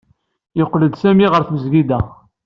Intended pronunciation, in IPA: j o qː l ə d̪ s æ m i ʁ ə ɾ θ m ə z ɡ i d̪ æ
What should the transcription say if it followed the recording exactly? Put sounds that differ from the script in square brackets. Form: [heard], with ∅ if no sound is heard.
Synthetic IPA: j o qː l ə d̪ s æ m i ʁ ə ɾ θ m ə z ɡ i d̪ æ